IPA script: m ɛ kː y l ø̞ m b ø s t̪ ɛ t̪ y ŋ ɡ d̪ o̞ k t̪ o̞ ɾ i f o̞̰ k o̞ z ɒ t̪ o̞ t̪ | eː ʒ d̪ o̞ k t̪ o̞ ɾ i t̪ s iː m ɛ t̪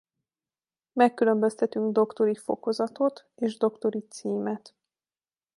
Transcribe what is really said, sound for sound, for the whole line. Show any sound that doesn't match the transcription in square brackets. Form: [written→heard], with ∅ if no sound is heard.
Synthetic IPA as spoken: m ɛ kː y l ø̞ m b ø s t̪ ɛ t̪ y ŋ ɡ d̪ o̞ k t̪ o̞ ɾ i f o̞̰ k o̞ z ɒ t̪ o̞ t̪ | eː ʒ d̪ o̞ k t̪ o̞ ɾ i t̪ s iː m ɛ t̪